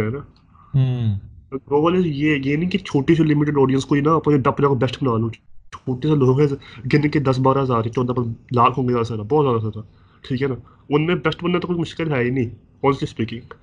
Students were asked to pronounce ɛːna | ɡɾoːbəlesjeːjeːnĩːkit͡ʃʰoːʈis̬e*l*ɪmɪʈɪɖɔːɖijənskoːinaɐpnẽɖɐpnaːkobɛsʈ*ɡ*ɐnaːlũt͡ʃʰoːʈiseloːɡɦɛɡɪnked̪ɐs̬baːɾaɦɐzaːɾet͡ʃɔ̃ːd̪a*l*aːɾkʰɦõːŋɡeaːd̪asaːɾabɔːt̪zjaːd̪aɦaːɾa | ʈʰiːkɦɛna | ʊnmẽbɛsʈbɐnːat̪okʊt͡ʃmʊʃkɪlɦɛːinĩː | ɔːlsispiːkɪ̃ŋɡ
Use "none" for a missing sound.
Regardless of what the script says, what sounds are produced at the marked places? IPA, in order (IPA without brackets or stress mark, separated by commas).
l, b, l